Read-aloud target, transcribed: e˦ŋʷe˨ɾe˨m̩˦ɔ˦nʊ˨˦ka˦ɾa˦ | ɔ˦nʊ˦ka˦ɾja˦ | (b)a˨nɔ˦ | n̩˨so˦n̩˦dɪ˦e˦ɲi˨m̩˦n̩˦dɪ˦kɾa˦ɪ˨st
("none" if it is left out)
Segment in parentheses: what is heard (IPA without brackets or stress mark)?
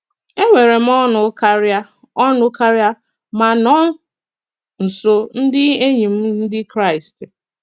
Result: m